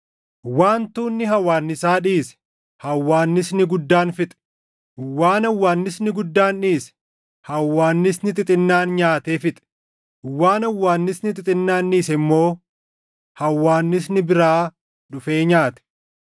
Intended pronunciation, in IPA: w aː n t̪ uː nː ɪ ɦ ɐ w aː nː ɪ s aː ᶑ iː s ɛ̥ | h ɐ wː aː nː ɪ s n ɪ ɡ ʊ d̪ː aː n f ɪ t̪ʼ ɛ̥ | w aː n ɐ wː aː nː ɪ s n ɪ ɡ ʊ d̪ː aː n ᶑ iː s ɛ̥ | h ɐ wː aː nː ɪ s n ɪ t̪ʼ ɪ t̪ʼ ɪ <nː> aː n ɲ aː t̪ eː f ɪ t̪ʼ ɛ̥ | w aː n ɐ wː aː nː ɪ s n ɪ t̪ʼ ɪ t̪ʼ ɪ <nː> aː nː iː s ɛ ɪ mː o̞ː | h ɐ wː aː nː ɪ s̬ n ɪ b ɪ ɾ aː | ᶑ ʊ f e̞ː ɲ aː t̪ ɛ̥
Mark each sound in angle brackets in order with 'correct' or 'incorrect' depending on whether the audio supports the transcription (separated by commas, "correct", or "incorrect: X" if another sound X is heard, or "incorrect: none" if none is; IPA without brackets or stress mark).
correct, correct